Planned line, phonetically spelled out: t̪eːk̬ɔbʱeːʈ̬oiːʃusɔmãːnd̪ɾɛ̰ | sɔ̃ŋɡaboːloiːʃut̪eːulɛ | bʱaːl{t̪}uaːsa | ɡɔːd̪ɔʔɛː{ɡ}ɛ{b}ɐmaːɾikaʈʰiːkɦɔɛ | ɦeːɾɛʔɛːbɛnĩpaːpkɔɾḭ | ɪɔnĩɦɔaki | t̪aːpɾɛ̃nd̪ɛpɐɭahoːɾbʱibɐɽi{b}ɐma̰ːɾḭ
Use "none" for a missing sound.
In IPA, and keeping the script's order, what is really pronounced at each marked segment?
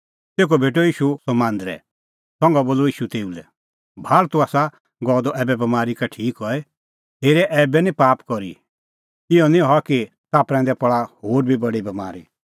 t̪, b, b, b

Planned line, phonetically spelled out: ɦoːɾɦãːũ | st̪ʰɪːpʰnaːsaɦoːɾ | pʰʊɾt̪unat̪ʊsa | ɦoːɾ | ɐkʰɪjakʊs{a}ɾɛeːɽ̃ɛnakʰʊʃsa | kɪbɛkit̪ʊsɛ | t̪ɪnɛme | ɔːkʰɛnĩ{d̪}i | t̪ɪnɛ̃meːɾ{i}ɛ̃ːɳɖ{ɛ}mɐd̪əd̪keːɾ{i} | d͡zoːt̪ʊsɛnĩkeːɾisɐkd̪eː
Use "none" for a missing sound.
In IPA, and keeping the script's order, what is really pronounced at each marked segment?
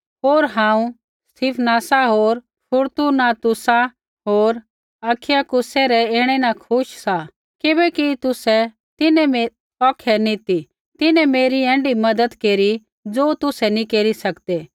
ɛ, t̪, i, i, i

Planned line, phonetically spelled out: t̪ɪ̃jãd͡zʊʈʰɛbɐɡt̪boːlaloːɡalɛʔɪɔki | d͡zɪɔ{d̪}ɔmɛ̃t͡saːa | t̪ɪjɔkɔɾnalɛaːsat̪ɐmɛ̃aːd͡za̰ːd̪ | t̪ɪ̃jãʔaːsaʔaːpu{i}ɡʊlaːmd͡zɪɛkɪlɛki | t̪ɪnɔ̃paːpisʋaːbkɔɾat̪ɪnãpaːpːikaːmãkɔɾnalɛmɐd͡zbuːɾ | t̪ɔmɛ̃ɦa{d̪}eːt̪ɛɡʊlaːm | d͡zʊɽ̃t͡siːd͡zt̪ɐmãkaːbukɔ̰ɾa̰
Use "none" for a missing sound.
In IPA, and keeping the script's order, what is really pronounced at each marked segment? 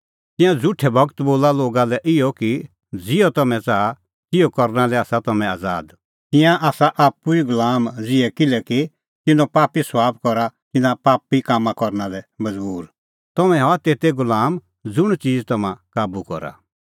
t̪, i, t̪

